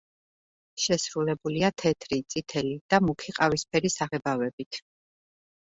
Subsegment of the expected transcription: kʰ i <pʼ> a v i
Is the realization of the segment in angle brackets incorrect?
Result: yes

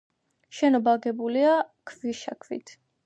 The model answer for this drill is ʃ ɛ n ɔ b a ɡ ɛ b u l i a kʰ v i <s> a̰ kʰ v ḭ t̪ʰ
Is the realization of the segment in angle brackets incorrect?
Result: yes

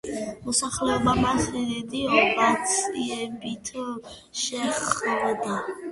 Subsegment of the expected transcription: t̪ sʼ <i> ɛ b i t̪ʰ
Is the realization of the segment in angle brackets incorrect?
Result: no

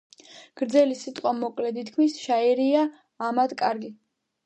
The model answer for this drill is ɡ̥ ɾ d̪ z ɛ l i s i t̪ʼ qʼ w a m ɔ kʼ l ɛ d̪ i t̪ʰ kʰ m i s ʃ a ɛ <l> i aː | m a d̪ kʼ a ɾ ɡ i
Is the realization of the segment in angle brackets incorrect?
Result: yes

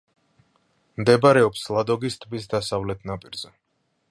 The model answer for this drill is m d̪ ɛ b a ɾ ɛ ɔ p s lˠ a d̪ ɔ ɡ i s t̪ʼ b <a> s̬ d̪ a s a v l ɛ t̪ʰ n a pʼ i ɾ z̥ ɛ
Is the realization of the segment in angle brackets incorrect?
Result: yes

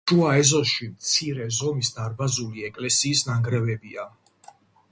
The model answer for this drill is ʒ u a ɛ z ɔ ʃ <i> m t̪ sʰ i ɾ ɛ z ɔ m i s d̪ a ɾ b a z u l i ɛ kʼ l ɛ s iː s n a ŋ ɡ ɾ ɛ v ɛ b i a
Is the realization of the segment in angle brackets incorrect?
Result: no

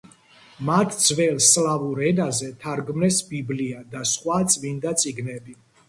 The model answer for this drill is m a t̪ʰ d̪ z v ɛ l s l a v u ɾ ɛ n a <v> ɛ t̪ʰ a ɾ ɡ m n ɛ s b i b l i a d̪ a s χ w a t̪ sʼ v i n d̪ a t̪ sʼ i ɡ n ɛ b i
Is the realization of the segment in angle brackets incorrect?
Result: yes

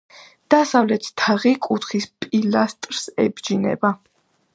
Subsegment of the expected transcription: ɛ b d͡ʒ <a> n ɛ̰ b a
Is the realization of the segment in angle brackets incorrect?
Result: yes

